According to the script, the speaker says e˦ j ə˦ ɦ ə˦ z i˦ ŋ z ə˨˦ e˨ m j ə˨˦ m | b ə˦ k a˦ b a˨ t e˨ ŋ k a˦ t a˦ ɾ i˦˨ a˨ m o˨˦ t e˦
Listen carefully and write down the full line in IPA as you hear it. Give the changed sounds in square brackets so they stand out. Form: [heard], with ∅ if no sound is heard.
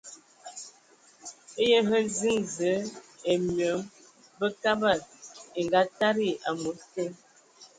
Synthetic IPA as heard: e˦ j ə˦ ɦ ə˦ z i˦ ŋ z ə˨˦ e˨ m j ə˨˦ m | b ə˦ k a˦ b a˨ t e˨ ŋ [ɡ] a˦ t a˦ ɾ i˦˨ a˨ m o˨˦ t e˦